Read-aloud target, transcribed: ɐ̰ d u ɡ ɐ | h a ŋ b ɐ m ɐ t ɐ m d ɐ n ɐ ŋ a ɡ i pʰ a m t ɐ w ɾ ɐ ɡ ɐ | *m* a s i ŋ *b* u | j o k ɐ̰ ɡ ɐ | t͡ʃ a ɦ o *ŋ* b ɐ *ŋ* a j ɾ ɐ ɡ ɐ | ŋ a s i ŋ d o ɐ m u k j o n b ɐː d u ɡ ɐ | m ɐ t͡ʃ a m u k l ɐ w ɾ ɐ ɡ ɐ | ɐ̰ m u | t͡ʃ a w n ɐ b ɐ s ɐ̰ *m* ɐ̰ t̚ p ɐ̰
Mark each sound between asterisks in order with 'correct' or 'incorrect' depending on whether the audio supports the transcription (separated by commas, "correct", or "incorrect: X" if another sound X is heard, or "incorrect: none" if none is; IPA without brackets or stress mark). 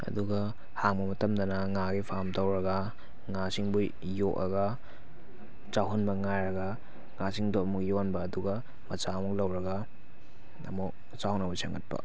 incorrect: ŋ, correct, incorrect: n, correct, incorrect: ŋ